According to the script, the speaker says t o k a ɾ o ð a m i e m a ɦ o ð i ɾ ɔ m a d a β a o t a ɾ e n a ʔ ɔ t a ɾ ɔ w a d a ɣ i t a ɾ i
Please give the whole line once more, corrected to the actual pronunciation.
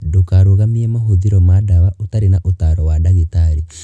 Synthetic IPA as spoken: d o k a ɾ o ɣ a m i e m a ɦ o ð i ɾ ɔ m a d a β a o t a ɾ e n a ʔ o t a ɾ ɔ w a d a ɣ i t a ɾ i